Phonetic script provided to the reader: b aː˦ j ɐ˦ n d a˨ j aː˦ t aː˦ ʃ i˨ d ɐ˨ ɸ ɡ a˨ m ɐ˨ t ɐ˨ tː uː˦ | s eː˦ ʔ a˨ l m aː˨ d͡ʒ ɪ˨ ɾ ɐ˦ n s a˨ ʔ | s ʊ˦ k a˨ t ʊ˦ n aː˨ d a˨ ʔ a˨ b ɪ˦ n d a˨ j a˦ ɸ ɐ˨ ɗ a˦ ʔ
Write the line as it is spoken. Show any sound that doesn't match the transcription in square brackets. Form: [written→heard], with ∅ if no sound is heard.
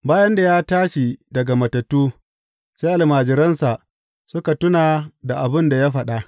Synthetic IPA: b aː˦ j ɐ˦ n d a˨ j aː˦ t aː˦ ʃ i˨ d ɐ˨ [ɸ→∅] ɡ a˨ m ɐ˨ t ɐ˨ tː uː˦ | s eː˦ ʔ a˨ l m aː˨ d͡ʒ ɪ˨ ɾ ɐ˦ n s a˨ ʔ | s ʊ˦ k a˨ t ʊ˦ n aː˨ d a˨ ʔ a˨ b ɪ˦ n d a˨ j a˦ ɸ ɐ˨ ɗ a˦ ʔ